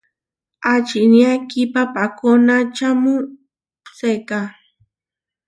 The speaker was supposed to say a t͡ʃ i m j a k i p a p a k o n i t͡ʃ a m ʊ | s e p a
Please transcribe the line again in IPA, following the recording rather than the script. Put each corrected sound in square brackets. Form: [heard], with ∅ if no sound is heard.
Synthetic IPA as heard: a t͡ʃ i [n] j a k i p a p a k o n [a] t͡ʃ a m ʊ | s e [k] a